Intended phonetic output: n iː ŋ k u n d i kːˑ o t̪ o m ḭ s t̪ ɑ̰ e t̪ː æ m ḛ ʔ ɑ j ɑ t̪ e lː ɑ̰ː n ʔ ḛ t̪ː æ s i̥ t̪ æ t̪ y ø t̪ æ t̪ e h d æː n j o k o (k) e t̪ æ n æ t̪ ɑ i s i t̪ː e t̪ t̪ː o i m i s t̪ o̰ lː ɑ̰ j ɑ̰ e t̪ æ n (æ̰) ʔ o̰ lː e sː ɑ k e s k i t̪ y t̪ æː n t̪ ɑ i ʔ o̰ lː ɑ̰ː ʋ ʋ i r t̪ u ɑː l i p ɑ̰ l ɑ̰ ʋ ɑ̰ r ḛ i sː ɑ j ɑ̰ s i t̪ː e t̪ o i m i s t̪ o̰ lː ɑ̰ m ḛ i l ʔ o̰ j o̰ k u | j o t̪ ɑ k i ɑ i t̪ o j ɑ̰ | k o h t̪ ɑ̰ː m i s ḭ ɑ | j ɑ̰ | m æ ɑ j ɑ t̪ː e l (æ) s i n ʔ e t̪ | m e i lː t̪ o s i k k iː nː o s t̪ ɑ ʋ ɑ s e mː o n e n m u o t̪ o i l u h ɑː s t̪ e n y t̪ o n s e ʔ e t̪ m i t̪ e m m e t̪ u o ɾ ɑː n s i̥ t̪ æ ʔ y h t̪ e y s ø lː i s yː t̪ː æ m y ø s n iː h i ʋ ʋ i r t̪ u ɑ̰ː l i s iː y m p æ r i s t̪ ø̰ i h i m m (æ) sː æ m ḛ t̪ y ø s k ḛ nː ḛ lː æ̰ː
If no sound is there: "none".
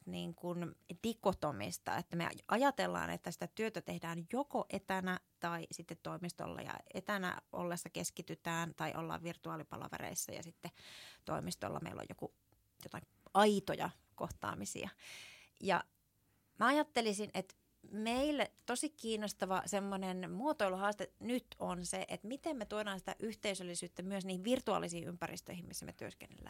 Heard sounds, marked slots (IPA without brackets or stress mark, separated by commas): ʔ, æ̰, i, i